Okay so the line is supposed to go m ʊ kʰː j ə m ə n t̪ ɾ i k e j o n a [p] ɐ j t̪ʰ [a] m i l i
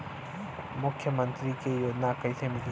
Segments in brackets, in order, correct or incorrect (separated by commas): incorrect, incorrect